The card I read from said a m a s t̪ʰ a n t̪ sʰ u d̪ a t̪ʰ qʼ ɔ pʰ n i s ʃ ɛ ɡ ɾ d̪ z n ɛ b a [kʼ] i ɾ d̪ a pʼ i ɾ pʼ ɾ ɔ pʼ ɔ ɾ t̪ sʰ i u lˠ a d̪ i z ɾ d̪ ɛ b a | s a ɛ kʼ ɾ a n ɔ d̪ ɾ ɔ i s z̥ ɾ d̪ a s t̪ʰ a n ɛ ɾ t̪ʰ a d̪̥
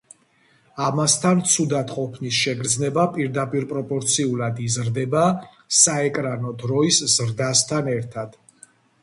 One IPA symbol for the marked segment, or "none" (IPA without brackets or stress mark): pʼ